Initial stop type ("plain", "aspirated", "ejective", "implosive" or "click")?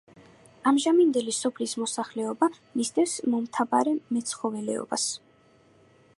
plain